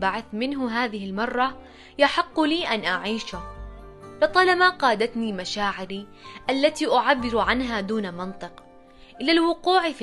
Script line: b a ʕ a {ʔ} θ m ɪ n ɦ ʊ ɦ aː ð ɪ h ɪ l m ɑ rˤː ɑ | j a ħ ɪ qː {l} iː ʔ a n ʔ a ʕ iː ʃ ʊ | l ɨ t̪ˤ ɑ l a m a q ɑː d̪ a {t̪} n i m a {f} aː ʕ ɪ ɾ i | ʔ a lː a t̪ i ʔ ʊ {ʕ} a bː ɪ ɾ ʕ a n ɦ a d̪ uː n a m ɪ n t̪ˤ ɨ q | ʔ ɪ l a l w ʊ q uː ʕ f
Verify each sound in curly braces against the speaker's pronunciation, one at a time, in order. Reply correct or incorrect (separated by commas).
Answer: incorrect, correct, correct, incorrect, correct